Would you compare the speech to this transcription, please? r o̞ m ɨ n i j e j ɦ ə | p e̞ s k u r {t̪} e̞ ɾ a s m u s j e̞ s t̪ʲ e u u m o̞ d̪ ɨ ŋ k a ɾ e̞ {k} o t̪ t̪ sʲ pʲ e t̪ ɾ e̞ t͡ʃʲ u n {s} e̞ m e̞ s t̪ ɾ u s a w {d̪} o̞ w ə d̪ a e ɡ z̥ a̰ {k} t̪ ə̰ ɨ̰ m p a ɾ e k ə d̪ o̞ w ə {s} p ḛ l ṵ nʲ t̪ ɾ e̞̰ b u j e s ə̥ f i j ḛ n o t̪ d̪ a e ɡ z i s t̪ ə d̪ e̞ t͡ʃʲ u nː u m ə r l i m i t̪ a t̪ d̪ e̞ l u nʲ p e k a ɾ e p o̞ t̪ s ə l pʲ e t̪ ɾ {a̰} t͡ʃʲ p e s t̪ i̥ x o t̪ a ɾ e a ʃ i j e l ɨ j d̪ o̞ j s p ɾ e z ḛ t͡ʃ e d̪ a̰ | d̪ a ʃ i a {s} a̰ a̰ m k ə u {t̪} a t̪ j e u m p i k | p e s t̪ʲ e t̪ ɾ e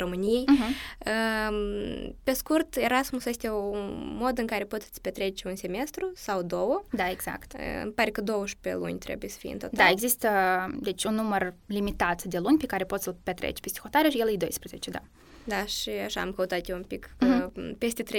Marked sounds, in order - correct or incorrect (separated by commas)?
correct, incorrect, correct, correct, correct, incorrect, incorrect, incorrect, correct